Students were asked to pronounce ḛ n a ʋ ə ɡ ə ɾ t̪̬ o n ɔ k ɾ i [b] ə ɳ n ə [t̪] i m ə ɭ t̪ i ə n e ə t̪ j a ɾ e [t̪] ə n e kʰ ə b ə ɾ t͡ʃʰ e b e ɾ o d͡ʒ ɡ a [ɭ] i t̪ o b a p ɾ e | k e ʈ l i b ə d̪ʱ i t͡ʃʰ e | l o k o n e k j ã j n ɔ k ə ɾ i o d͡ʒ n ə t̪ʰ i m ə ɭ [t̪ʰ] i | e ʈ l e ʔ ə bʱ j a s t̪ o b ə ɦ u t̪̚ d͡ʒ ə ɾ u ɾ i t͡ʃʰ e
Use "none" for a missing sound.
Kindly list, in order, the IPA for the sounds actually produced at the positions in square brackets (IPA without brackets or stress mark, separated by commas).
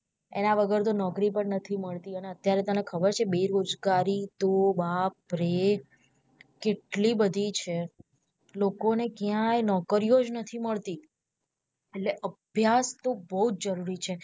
p, t̪ʰ, t̪, ɾ, t̪